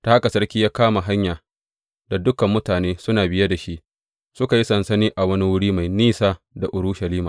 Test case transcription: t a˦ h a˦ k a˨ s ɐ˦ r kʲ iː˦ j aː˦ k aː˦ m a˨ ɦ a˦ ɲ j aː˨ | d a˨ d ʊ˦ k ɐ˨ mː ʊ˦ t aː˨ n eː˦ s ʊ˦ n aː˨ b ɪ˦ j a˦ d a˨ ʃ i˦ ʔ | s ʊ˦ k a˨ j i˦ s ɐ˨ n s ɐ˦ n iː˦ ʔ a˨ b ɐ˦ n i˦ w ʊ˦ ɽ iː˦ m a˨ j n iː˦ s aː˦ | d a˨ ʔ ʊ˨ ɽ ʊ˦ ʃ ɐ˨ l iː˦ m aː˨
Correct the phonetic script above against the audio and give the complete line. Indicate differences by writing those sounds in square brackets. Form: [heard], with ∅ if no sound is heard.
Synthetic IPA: t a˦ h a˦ k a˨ s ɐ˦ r kʲ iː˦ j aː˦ k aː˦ m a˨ ɦ a˦ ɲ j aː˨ | d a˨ d ʊ˦ k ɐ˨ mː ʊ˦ t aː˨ n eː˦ s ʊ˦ n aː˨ b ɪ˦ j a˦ d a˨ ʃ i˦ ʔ | s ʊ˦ k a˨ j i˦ s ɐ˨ n s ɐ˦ n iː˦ ʔ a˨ [w] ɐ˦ n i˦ w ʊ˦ ɽ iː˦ m a˨ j n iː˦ s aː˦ | d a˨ ʔ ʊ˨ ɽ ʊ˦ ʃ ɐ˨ l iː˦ m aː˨